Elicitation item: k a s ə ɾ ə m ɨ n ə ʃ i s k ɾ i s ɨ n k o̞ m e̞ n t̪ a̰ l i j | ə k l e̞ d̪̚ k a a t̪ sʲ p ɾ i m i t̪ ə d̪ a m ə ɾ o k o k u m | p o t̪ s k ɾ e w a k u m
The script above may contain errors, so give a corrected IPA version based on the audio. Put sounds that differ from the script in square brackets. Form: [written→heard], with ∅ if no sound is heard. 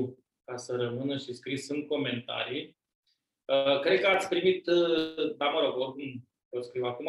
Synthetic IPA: k a s ə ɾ ə m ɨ n ə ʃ i s k ɾ i s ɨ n k o̞ m e̞ n t̪ a̰ [l→ɾ] i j | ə k [l→ɾ] e̞ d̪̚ k [a→ə] a t̪ sʲ p ɾ i m i t̪ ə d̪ a m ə ɾ o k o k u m | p o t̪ s k ɾ [e→i] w a k u m